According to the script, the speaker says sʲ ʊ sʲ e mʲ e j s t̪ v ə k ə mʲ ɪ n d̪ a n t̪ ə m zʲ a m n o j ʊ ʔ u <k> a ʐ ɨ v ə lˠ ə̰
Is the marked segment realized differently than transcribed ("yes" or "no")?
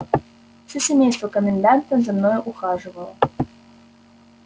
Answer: yes